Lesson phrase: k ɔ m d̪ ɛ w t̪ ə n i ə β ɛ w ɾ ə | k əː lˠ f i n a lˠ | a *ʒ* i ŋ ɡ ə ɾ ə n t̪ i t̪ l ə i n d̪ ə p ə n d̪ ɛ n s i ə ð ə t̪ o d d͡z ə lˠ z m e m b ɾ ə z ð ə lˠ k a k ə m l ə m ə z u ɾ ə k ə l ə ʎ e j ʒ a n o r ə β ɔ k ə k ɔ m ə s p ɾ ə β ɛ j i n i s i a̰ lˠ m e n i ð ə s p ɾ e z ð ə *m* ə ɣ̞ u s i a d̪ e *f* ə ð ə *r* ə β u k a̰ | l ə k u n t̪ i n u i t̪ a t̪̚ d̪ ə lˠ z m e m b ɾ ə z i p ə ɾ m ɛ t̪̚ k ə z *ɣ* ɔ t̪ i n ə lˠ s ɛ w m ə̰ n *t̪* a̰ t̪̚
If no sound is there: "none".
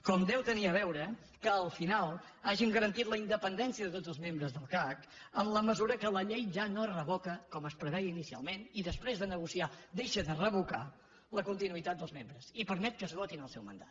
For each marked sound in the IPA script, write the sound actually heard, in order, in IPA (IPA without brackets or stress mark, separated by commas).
ʒ, n, ʃ, r, ɣ, d̪